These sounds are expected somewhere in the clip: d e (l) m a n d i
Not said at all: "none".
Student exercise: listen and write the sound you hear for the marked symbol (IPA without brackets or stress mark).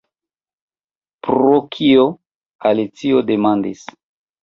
none